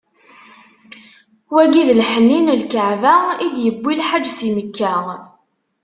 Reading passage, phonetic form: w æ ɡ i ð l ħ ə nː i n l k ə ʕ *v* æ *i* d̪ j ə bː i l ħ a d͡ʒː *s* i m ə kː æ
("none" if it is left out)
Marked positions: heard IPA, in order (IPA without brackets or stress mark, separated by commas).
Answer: v, i, s